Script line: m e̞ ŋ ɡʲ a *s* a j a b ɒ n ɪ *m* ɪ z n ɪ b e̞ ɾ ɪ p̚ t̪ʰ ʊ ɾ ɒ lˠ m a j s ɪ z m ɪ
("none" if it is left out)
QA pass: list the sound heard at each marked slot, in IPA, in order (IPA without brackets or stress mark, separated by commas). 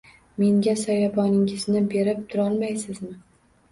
s, ŋ